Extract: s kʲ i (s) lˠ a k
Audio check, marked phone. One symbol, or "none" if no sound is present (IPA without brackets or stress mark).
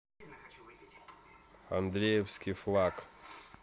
f